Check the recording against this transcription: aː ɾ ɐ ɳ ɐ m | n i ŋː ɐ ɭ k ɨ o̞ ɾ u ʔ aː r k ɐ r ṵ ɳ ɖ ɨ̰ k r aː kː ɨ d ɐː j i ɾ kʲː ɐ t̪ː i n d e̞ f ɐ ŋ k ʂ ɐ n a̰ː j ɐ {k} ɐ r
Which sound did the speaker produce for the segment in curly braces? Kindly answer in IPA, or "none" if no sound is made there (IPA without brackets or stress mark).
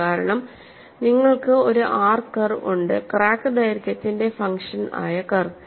k